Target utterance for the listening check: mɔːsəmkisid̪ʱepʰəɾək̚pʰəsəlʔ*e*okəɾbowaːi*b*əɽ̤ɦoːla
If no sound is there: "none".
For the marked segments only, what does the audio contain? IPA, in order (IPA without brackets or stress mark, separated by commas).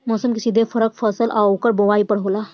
a, p